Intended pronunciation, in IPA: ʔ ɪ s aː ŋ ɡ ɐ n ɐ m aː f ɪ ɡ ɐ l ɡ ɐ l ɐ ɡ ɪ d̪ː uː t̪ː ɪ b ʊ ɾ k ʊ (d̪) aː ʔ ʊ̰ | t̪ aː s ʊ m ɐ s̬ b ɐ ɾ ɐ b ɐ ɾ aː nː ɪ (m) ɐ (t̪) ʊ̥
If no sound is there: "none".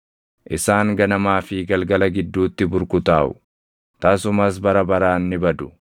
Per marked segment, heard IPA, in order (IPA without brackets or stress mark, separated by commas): t̪, b, d̪